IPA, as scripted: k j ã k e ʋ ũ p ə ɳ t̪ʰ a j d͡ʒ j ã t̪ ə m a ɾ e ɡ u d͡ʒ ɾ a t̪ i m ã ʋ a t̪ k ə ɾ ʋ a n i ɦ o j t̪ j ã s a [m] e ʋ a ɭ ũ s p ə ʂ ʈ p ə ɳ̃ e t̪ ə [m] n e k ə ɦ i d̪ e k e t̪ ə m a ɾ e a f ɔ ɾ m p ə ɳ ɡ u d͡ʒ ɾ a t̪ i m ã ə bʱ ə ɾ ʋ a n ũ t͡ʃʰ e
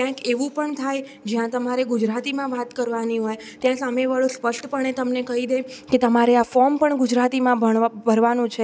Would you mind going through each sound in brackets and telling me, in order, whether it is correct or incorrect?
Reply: correct, correct

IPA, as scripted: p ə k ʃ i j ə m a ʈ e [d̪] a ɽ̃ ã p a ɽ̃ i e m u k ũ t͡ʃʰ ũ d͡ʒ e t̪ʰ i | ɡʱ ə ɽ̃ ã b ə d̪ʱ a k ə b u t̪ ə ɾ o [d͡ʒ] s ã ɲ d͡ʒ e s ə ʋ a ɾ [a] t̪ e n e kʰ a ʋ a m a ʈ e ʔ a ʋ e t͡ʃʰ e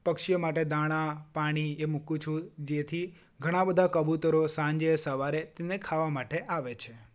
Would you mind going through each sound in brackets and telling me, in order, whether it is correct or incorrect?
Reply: correct, incorrect: none, incorrect: e

